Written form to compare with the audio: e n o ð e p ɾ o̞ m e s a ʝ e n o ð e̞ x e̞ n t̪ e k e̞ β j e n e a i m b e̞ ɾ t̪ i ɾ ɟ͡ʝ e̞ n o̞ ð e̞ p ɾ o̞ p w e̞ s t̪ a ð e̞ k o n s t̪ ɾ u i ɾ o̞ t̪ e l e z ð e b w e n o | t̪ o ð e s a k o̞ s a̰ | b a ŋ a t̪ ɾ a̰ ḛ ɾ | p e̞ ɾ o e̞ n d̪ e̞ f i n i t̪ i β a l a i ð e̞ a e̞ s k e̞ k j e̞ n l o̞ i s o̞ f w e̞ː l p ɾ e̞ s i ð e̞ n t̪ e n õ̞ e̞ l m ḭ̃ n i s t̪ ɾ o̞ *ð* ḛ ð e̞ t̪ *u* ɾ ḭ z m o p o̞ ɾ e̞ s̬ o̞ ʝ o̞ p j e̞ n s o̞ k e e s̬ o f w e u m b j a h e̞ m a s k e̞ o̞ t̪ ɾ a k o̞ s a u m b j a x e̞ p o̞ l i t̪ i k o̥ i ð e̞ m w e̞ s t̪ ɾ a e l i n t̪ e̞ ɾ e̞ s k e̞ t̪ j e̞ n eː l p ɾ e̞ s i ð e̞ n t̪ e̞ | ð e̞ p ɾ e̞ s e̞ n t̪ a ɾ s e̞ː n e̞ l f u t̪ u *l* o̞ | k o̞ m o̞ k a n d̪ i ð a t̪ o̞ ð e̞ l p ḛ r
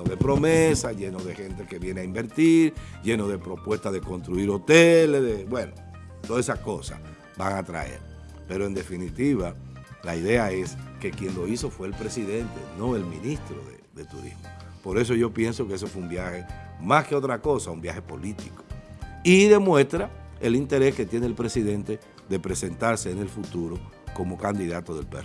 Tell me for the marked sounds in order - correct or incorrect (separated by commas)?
correct, correct, incorrect